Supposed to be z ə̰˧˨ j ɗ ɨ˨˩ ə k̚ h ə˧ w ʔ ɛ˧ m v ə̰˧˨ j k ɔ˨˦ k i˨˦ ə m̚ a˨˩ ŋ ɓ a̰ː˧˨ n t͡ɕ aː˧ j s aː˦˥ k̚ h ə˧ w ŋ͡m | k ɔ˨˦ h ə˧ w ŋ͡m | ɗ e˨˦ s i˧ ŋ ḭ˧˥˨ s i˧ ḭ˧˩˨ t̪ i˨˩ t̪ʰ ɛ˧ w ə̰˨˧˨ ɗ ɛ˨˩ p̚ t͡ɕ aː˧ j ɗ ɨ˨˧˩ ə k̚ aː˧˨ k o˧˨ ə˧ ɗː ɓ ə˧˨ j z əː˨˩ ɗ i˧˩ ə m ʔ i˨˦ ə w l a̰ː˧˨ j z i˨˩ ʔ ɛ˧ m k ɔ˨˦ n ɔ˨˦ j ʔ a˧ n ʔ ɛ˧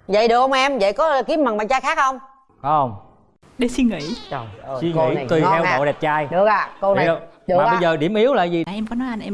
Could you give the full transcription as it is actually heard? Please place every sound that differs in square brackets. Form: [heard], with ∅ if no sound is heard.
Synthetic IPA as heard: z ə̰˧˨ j ɗ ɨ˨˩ ə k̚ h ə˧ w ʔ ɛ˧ m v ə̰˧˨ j k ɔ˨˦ k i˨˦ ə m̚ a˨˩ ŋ ɓ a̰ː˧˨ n t͡ɕ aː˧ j [x] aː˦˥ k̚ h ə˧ w ŋ͡m | k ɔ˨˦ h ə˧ w ŋ͡m | ɗ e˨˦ s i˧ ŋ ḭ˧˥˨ s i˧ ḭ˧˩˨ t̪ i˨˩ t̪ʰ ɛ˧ w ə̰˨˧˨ ɗ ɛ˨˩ p̚ t͡ɕ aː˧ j ɗ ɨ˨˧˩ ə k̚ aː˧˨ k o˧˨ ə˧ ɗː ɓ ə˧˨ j z əː˨˩ ɗ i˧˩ ə m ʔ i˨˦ ə w l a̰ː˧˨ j z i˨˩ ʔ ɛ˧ m k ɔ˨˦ n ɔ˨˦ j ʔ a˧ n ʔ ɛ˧